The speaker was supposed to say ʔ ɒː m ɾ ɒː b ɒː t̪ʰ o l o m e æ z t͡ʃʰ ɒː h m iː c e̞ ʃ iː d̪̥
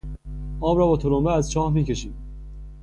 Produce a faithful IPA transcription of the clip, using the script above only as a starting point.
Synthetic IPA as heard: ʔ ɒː m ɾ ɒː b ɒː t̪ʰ o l o m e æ z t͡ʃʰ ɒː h m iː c e̞ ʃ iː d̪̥